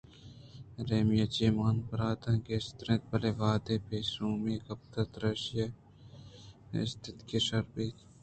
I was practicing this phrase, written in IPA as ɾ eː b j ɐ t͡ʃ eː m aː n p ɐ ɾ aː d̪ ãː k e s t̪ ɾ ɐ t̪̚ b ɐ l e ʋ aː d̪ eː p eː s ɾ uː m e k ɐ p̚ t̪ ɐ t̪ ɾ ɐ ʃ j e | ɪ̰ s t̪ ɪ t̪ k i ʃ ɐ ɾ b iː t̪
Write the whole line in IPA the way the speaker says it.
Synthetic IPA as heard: ɾ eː m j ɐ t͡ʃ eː m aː n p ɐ ɾ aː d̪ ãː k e s t̪ ɾ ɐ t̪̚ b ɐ l e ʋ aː d̪ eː p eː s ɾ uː m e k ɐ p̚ t̪ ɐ t̪ ɾ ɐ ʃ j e | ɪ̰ s t̪ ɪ t̪ k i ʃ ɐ ɾ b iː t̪